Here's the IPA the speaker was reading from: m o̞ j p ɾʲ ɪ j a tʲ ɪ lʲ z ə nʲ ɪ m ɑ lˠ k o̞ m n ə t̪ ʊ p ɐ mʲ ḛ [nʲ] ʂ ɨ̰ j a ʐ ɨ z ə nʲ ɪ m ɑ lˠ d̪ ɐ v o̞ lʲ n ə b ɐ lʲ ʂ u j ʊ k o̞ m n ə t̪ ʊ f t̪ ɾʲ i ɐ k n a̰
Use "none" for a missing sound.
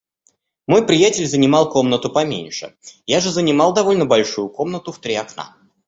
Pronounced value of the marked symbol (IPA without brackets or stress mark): nʲ